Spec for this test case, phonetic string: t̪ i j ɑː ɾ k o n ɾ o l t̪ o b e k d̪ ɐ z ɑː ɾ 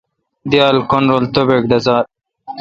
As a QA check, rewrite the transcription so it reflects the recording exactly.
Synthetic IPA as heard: d̪ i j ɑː l k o n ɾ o l t̪ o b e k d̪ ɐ z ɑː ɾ

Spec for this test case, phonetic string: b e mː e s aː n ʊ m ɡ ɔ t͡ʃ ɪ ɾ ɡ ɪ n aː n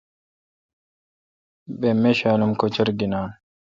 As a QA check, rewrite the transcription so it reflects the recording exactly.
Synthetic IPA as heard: b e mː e ʃ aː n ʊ m k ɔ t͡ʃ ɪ ɾ ɡ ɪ n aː n

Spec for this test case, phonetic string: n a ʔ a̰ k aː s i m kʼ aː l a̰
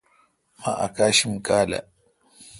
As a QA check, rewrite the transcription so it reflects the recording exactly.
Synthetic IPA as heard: m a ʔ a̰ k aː ʃ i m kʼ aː l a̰

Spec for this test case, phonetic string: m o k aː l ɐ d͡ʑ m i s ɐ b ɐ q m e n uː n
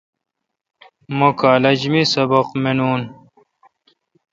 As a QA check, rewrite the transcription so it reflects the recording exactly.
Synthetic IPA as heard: m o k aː l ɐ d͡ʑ m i s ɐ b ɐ q m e n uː n

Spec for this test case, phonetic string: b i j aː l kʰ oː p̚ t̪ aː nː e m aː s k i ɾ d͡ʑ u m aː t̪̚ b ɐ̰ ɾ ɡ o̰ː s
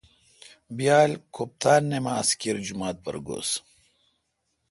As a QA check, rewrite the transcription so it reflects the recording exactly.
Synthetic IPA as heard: b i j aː l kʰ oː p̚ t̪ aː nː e m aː s k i ɾ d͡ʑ u m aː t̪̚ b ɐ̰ ɾ ɡ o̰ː s

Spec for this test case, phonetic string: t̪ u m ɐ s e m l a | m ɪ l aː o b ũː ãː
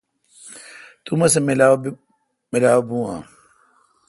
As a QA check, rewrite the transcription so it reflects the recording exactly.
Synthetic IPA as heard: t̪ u m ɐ s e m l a | m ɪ l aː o b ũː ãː

